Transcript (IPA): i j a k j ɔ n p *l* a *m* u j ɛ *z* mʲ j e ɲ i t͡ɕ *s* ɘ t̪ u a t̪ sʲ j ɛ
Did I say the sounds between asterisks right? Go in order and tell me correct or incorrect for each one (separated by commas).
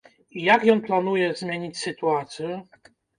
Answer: correct, incorrect, correct, correct